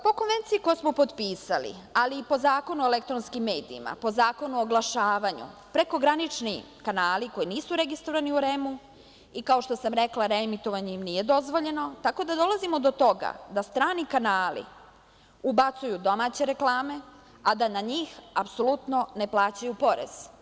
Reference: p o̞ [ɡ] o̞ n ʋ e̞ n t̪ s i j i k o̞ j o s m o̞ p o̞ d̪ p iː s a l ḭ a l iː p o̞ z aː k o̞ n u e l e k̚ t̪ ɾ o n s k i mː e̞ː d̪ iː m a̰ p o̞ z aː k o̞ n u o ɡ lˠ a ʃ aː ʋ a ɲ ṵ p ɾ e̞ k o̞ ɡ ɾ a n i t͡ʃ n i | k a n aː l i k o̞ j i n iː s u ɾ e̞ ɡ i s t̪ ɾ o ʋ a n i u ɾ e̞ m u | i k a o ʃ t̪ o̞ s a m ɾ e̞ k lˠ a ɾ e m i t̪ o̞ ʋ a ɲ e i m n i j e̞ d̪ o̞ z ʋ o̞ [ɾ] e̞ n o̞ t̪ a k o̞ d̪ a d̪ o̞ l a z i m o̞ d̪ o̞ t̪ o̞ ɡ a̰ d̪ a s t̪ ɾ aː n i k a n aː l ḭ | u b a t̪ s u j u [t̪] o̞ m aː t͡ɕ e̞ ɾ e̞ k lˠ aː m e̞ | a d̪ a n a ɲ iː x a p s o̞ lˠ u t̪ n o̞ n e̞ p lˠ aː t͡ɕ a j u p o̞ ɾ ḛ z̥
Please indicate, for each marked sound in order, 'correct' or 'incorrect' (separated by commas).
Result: incorrect, incorrect, incorrect